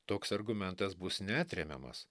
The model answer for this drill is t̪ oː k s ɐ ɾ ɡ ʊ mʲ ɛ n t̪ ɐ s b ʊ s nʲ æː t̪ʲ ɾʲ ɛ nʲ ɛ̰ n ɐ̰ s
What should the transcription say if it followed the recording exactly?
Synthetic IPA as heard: t̪ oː k s ɐ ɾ ɡ ʊ mʲ ɛ n t̪ ɐ s b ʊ s nʲ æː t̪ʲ ɾʲ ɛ mʲ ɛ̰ m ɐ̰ s